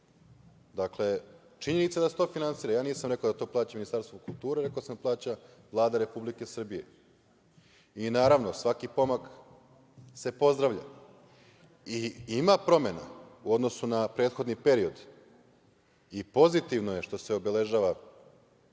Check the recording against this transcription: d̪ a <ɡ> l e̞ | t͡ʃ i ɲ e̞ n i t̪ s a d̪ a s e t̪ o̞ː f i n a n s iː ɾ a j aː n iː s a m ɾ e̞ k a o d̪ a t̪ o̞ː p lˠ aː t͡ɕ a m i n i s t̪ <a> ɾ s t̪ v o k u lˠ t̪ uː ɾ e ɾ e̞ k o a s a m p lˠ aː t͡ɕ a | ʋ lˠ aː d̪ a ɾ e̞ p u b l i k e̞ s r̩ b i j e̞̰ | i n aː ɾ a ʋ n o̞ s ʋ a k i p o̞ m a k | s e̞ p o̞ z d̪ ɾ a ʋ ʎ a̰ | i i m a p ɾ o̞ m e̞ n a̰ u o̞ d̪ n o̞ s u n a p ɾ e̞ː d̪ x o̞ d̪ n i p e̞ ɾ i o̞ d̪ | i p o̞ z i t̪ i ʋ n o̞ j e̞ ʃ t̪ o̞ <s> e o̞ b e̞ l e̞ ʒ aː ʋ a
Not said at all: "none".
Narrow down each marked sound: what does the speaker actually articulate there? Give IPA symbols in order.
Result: k, a, s

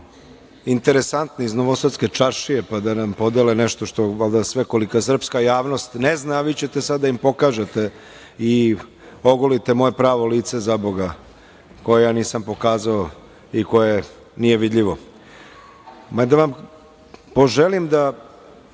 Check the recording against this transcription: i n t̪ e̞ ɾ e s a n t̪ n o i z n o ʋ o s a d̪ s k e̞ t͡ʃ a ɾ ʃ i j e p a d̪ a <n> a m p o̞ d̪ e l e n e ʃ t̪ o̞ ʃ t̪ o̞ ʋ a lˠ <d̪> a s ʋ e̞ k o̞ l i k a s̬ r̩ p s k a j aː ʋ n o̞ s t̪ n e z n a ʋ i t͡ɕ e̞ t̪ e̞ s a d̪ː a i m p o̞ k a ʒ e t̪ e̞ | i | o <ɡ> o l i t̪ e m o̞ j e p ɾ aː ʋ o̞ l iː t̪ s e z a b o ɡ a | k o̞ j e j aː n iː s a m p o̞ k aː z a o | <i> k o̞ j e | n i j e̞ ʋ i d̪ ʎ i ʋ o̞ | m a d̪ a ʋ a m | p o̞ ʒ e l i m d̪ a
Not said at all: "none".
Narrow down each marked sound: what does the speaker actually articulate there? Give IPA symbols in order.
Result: n, d̪, ɡ, i

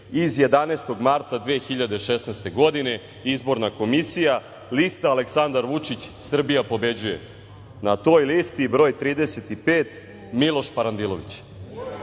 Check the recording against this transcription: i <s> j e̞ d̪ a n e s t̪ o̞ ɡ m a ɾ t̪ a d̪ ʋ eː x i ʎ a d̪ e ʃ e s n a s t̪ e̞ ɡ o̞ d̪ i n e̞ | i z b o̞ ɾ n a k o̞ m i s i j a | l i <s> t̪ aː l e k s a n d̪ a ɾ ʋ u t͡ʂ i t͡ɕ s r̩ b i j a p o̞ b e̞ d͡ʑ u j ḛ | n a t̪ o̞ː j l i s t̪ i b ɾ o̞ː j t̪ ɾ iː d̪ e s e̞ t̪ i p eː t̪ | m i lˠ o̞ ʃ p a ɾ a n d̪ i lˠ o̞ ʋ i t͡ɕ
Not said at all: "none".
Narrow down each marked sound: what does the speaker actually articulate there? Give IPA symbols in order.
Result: z, s

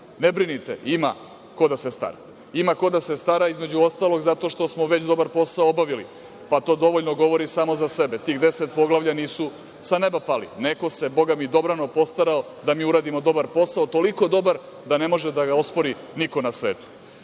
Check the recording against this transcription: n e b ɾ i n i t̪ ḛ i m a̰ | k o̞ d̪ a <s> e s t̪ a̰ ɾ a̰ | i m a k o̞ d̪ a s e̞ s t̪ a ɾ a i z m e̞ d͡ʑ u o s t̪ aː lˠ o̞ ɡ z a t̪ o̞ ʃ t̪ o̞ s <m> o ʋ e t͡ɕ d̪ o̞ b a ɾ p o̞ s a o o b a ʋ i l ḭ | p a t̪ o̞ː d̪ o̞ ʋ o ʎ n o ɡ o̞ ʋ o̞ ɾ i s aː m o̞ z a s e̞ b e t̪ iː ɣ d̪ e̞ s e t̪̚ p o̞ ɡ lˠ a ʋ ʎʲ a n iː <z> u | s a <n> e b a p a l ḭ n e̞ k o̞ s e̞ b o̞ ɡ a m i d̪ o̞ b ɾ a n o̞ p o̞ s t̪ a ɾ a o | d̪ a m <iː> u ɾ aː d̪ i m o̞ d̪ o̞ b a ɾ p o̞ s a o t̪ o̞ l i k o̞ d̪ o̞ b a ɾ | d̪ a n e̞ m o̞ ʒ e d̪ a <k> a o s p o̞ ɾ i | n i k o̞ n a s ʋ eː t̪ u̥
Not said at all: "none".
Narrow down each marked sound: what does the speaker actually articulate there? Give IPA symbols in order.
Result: s, m, s, n, iː, ɡ

